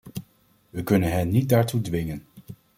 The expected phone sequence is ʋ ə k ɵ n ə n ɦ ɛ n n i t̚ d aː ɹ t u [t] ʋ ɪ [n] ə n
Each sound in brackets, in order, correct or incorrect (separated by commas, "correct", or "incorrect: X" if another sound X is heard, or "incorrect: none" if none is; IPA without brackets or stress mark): incorrect: d, incorrect: ŋ